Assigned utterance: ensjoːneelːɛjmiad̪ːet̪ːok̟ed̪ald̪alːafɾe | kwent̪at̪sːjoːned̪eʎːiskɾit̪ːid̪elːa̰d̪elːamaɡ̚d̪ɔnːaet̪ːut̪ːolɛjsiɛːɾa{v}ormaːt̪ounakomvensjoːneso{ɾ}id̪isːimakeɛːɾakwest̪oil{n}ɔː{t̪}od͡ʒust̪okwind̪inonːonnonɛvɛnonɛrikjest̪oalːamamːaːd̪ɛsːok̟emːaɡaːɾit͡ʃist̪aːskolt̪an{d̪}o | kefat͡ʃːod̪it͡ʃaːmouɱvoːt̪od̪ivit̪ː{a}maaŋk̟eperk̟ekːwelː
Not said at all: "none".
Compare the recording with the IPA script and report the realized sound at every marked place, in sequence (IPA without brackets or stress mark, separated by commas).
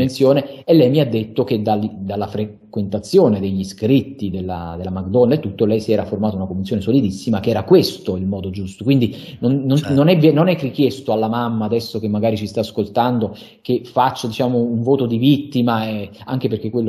f, l, m, d̪, d̪, i